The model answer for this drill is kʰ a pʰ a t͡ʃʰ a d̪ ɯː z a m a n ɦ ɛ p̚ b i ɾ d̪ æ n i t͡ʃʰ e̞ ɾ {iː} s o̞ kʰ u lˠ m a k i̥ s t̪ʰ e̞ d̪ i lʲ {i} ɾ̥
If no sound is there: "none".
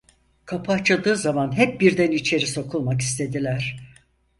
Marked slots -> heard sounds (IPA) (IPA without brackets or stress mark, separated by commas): i, æ